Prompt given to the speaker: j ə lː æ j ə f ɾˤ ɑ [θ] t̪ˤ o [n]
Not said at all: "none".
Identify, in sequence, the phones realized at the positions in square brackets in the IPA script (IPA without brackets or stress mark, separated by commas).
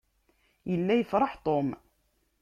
ħ, m